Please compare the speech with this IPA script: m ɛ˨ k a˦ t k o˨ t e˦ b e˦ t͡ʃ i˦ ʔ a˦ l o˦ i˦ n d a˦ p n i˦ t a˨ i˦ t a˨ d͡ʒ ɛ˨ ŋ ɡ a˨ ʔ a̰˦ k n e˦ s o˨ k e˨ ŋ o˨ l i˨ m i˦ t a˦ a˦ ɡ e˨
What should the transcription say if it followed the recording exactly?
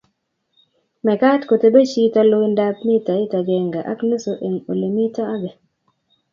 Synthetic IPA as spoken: m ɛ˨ k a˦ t k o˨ t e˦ b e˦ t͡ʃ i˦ t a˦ l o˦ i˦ n d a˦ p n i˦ t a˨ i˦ t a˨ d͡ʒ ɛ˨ ŋ ɡ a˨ ʔ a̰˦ k n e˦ s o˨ ʔ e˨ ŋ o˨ l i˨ m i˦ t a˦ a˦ ɡ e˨